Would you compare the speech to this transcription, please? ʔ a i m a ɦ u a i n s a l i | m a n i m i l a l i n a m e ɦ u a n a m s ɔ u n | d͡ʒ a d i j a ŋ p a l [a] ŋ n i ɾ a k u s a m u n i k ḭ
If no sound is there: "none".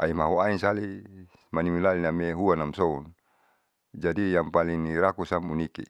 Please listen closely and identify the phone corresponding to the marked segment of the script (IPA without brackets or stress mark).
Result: i